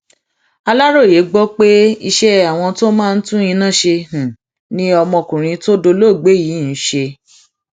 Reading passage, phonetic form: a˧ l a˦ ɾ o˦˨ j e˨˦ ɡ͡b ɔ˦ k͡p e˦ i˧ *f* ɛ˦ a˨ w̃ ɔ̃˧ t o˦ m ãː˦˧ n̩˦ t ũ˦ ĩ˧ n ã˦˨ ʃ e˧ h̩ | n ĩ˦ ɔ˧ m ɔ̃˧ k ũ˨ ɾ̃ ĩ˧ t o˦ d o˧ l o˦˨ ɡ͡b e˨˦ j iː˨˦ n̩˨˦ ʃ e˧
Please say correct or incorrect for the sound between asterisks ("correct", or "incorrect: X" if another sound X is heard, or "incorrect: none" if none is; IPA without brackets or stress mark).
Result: incorrect: ʃ